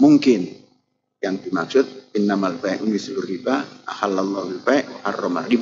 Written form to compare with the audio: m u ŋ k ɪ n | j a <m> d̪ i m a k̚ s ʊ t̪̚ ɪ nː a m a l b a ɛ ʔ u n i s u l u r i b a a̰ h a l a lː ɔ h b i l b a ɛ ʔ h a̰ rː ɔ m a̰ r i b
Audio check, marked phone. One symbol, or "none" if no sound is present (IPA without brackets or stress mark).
ŋ